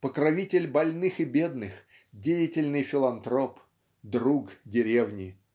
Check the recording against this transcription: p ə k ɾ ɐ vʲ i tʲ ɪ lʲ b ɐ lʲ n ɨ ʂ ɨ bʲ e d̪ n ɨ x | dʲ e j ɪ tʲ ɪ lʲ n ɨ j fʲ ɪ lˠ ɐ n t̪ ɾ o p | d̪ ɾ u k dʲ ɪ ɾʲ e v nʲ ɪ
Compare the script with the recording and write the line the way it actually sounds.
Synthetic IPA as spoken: p ə k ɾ ɐ vʲ i tʲ ɪ lʲ b ɐ lʲ n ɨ x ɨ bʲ e d̪ n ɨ x | dʲ e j ɪ tʲ ɪ lʲ n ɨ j fʲ ɪ lˠ ɐ n t̪ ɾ o p | d̪ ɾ u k dʲ ɪ ɾʲ e v nʲ ɪ